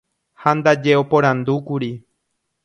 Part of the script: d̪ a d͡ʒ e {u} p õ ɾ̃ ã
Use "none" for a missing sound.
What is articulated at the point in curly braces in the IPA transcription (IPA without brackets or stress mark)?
o